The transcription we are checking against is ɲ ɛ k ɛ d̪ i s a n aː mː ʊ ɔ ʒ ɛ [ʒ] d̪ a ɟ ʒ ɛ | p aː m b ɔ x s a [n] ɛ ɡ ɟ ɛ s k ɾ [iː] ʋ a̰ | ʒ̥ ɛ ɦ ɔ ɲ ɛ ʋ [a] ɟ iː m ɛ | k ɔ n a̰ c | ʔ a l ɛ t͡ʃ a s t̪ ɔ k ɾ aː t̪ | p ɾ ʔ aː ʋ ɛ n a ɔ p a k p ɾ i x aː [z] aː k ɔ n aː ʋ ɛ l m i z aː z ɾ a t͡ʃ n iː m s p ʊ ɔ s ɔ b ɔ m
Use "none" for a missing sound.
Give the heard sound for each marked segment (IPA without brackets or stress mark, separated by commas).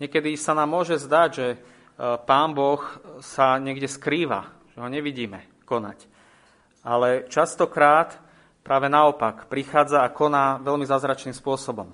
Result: z, ɲ, iː, i, d͡z